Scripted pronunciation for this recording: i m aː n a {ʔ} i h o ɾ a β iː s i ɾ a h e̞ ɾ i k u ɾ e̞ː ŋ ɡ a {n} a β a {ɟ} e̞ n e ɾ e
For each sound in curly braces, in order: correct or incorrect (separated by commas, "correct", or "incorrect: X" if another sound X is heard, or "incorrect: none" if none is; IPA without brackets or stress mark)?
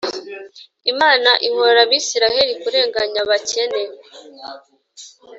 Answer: correct, incorrect: ɲ, incorrect: c